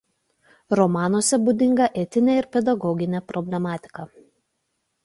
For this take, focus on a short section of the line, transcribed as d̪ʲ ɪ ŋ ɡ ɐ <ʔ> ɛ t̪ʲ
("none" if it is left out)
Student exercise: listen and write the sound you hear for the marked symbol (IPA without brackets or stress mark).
ʔ